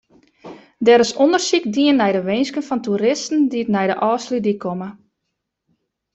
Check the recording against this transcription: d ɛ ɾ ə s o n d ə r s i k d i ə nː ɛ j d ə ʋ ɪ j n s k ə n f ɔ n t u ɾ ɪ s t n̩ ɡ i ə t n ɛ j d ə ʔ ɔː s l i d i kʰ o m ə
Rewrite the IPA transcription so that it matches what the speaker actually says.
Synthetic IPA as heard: d ɛ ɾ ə s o n d ə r s i k d i ə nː ɛ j d ə ʋ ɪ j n s k ə n f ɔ n t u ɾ ɪ s t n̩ d i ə t n ɛ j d ə ʔ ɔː s l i d i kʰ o m ə

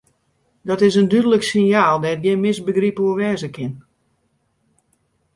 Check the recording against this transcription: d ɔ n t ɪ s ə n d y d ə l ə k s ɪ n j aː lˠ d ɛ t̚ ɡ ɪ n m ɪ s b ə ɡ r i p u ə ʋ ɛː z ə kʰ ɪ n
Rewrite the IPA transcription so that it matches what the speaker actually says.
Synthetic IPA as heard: d ɔ t ɪ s ə n d y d ə l ə k s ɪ n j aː lˠ d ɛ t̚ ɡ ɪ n m ɪ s b ə ɡ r i p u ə ʋ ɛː z ə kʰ ɪ n

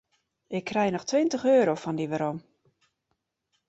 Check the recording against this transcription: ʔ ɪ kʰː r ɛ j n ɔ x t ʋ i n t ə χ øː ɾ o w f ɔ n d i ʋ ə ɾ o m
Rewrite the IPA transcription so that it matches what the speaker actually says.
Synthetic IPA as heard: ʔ ɪ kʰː r ɛ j n ɔ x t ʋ ɪ n t ə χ øː ɾ o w f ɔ n d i ʋ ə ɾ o m

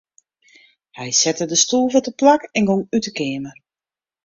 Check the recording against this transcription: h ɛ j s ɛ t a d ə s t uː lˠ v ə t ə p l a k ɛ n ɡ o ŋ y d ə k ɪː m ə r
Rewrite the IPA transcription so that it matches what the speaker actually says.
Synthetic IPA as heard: h ɛ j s ɛ t ə d ə s t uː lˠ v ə t ə p l a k ɛ n ɡ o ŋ y t ə k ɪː m ə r

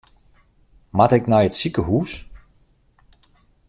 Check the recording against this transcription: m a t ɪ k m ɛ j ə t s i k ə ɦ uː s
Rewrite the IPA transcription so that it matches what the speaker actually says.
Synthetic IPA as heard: m a t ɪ k n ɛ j ə t s i k ə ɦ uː s

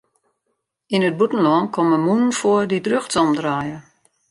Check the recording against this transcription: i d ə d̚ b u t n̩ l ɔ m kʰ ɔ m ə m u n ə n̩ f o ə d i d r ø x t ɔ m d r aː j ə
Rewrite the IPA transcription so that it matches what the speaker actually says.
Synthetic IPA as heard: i n ə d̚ b u t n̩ l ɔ n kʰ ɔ m ə m u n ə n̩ f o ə d i d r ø x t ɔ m d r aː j ə

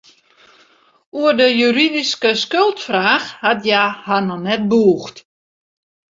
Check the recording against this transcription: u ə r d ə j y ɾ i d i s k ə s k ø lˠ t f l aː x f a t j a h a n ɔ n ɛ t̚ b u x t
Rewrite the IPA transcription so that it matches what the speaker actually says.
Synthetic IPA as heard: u ə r d ə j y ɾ i d i s k ə s k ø lˠ t f r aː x h a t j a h a n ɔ n ɛ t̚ b uː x t

